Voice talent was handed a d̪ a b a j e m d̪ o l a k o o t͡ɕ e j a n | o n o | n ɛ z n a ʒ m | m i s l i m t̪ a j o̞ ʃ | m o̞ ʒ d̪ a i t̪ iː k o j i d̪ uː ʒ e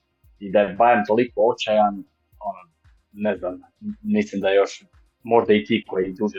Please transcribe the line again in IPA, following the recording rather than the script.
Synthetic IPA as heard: i d̪ a b a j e m t̪ o l i k o o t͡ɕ a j a n | o n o | n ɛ z n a m | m i s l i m d̪ a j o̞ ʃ | m o̞ ʒ d̪ a i t̪ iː k o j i d̪ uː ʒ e